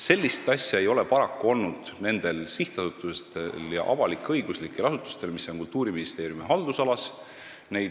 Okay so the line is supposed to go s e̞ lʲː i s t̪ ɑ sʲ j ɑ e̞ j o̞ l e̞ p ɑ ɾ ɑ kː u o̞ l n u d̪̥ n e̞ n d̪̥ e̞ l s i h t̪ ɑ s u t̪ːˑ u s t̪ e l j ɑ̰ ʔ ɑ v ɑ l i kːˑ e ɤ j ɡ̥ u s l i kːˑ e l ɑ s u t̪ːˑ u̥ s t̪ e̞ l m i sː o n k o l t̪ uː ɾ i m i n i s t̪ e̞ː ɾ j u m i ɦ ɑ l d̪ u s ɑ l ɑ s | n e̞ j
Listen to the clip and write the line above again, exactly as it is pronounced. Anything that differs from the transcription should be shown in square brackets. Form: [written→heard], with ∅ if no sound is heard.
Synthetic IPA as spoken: s e̞ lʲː i s t̪ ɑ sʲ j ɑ e̞ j o̞ l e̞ p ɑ ɾ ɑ kː u o̞ l n u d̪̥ n e̞ n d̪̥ e̞ l s i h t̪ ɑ s u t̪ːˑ u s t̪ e l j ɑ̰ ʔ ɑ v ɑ l i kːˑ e ɤ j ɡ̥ u s l i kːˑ e l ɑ s u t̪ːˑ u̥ s t̪ e̞ l m i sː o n k [o→u] l t̪ uː ɾ i m i n i s t̪ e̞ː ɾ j u m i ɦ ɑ l d̪ u s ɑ l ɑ s | n e̞ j